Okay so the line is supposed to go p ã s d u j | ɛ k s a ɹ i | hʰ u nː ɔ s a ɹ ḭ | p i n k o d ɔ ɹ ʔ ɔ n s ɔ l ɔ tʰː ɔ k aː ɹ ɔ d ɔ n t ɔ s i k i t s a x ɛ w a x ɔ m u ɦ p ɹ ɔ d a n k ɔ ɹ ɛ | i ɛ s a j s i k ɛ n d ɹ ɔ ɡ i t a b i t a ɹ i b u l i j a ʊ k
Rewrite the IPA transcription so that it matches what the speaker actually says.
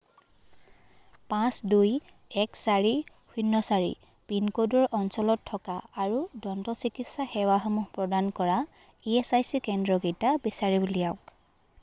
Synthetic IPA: p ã s d u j | ɛ k s a ɹ i | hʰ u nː ɔ s a ɹ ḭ | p i n k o d ɔ ɹ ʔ ɔ n s ɔ l ɔ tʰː ɔ k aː ɹ u d ɔ n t ɔ s i k i t s a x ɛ w a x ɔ m u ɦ p ɹ ɔ d a n k ɔ ɹ a | i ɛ s a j s i k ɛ n d ɹ ɔ ɡ i t a b i s a ɹ i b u l i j a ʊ k